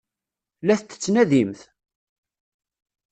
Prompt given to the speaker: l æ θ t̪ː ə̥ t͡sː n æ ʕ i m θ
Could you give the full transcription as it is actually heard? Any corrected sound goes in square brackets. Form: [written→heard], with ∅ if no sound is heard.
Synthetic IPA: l æ θ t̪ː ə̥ t͡sː n æ [ʕ→ð] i m θ